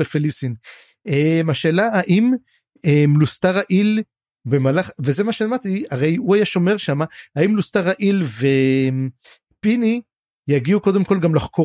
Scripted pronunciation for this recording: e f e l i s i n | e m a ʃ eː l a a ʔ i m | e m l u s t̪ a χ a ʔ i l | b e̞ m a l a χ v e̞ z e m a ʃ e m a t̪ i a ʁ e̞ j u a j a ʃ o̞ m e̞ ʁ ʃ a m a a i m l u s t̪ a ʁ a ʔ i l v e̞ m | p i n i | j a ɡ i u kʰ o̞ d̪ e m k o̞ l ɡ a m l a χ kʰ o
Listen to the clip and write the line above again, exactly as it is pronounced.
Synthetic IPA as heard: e f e l i s i n | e m a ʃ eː l a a ʔ i m | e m l u s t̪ a ʁ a ʔ i l | b e̞ m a l a χ v e̞ z e m a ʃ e m a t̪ i a ʁ e̞ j u a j a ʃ o̞ m e̞ ʁ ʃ a m a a i m l u s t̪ a ʁ a ʔ i l v e̞ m | p i n i | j a ɡ i u k o̞ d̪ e m k o̞ l ɡ a m l a χ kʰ o